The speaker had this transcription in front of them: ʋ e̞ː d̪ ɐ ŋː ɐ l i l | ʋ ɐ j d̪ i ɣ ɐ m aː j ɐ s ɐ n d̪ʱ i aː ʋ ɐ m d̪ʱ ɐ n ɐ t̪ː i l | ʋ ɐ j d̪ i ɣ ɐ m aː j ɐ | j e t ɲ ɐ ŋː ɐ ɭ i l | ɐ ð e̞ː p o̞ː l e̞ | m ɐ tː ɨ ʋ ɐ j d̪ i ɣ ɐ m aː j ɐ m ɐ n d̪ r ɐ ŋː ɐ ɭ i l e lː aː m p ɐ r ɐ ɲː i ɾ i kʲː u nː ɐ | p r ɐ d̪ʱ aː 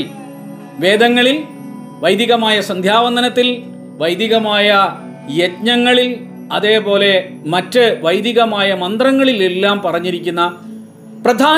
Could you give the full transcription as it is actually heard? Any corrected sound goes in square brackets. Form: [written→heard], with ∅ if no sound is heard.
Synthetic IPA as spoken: ʋ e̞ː d̪ ɐ ŋː ɐ [l→ɭ] i l | ʋ ɐ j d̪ i ɣ ɐ m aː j ɐ s ɐ n d̪ʱ [i→j] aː ʋ ɐ [m→n] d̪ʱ ɐ n ɐ t̪ː i l | ʋ ɐ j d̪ i ɣ ɐ m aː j ɐ | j e t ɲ ɐ ŋː ɐ ɭ i l | ɐ ð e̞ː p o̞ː l e̞ | m ɐ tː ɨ ʋ ɐ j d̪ i ɣ ɐ m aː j ɐ m ɐ n d̪ r ɐ ŋː ɐ ɭ i l e lː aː m p ɐ r ɐ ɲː i ɾ i kʲː u nː ɐ | p r ɐ d̪ʱ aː